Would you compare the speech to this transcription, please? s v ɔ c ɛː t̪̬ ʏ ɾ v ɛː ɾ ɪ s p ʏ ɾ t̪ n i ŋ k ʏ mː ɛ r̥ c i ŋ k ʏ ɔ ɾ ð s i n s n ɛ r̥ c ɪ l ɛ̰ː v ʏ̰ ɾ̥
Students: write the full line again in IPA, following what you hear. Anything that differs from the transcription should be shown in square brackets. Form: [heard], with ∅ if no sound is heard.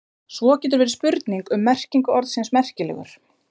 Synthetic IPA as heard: s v ɔ c ɛː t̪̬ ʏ ɾ v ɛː ɾ ɪ s p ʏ ɾ t̪ n i ŋ k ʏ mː ɛ r̥ c i ŋ k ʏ ɔ ɾ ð s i n s [m] ɛ r̥ c ɪ l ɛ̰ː [ɣ] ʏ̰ ɾ̥